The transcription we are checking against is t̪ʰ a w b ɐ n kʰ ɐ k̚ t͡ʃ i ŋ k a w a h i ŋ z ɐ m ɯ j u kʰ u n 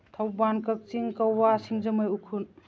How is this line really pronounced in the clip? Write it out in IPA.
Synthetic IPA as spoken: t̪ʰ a w b a n k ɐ k̚ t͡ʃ i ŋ k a w a s i ŋ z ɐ m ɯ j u kʰ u n